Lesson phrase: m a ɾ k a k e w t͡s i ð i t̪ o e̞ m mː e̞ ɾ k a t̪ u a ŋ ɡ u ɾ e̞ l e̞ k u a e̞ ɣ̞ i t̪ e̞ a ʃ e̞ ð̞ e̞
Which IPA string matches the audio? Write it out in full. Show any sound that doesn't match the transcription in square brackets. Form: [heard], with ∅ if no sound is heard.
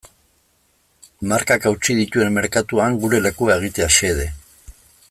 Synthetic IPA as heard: m a ɾ k a k [a] w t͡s i ð i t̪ [u] e̞ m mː e̞ ɾ k a t̪ u a ŋ ɡ u ɾ e̞ l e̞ k u a e̞ ɣ̞ i t̪ e̞ a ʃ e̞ ð̞ e̞